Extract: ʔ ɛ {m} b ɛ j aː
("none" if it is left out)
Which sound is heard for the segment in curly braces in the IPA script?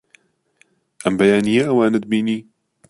m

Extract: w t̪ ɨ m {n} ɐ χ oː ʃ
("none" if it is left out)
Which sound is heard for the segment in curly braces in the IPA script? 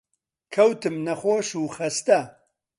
n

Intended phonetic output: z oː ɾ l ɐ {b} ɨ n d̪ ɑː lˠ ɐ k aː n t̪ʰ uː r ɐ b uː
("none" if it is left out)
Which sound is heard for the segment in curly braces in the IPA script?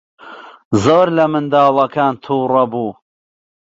m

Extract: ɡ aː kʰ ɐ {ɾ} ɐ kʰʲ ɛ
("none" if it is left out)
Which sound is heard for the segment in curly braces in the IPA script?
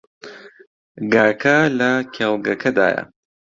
l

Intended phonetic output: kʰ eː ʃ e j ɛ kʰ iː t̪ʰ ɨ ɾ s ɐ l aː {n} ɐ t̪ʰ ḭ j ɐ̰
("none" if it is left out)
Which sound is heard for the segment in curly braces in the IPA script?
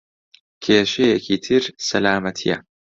m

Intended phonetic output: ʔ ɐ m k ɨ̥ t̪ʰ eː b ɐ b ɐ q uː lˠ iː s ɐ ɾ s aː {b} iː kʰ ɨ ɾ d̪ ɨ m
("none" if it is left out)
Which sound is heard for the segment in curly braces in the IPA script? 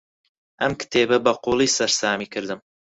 m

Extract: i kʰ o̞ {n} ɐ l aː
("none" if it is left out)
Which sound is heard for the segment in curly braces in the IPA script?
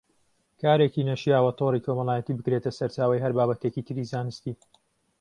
m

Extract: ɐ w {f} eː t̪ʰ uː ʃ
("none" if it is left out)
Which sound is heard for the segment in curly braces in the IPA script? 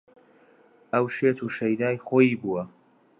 ʃ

